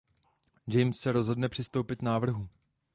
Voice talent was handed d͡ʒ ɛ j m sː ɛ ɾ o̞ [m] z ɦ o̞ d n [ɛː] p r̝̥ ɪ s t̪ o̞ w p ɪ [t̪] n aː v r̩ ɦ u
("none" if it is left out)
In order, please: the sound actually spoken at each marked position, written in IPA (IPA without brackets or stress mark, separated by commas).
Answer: none, ɛ, t̪